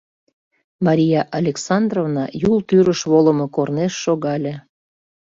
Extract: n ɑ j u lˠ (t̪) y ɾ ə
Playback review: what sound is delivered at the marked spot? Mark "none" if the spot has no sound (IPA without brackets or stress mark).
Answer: t̪